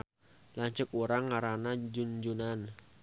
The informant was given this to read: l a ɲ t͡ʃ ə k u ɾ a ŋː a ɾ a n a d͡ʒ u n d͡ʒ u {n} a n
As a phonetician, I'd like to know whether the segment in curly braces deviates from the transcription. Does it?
no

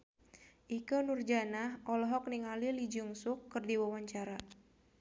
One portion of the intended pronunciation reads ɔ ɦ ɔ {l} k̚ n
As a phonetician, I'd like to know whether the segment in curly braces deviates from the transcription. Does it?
yes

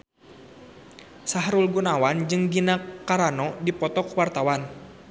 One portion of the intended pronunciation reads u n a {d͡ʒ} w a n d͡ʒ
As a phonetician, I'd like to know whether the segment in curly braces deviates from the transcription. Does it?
yes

